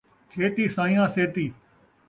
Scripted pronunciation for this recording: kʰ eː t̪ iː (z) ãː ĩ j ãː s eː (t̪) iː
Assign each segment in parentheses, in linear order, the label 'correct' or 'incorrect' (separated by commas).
incorrect, correct